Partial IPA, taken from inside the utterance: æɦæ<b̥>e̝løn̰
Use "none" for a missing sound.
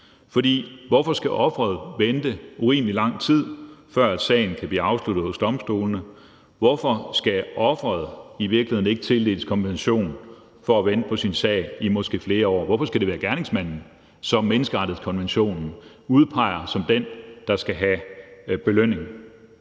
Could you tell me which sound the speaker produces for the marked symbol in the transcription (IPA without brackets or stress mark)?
b̥